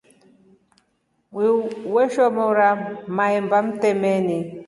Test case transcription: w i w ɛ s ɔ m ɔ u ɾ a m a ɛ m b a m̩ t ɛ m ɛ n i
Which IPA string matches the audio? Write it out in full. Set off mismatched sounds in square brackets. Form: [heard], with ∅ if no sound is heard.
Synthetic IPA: w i w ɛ [ʃ] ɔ m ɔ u ɾ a m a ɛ m b a m̩ t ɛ m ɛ n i

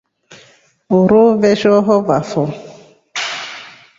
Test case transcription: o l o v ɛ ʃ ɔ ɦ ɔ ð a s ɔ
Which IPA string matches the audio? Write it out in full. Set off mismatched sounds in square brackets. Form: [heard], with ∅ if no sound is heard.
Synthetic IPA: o [ɾ] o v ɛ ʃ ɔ ɦ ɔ [v] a [f] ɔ

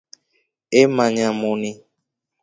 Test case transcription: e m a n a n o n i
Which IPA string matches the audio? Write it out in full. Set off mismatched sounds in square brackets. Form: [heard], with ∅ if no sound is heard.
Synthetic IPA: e m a [ɲ] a [m] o n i

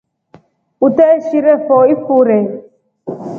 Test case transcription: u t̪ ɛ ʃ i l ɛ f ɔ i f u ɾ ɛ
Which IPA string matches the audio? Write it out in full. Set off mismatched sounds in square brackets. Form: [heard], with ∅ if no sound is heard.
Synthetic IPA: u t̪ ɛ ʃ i [ɾ] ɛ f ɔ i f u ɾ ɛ

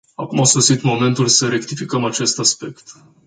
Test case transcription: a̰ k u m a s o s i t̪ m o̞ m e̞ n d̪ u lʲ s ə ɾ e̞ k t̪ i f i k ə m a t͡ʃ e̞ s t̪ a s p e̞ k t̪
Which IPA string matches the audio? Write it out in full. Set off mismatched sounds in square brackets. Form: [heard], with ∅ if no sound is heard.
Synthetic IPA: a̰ k u m a s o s i t̪ m o̞ m e̞ n [t̪] u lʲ s ə ɾ e̞ k t̪ i f i k ə m a t͡ʃ e̞ s t̪ a s p e̞ k t̪

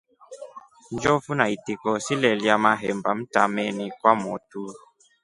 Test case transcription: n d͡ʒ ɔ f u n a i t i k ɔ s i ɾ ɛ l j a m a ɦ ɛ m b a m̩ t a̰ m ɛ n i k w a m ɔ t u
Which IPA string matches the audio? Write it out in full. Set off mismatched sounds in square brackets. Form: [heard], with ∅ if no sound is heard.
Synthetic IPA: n d͡ʒ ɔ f u n a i t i k ɔ s i [l] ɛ l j a m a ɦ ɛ m b a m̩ t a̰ m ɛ n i k w a m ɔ t u

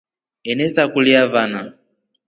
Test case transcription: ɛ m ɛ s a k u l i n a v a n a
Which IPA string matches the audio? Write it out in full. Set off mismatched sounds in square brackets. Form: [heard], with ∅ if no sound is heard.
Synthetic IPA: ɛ [n] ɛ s a k u l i [∅] a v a n a

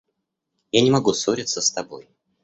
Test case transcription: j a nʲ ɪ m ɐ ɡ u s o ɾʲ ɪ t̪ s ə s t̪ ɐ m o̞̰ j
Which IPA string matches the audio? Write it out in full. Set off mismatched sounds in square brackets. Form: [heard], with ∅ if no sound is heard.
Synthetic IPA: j a nʲ ɪ m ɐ ɡ u s o ɾʲ ɪ t̪ s ə s t̪ ɐ [b] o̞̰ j

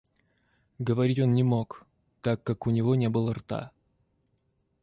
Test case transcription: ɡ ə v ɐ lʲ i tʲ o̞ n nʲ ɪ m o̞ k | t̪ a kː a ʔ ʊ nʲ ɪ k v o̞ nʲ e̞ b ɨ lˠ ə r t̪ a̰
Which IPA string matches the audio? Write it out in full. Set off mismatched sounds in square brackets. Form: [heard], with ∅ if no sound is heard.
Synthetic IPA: ɡ ə v ɐ [ɾʲ] i tʲ o̞ n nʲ ɪ m o̞ k | t̪ a kː a [k] ʊ nʲ ɪ [∅] v o̞ nʲ e̞ b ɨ lˠ ə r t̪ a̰

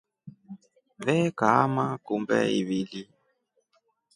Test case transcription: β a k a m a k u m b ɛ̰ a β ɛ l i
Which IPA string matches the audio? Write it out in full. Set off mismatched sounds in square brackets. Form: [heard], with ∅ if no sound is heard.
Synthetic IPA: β [ɛ] k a m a k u m b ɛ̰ [i] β [i] l i

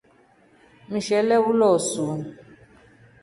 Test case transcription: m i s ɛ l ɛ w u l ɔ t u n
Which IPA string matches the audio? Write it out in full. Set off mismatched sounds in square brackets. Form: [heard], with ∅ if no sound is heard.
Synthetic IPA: m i [ʃ] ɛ l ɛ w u l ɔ [s] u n

